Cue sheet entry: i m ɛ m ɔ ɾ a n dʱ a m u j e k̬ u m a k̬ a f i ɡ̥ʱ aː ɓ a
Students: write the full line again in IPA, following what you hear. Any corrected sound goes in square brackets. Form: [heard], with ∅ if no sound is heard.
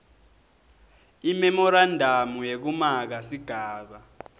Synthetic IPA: i m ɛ m ɔ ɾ a n dʱ a m u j e k̬ u m a k̬ a [s] i ɡ̥ʱ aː ɓ a